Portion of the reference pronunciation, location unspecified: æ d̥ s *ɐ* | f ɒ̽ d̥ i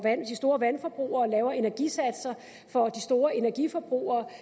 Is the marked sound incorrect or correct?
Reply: correct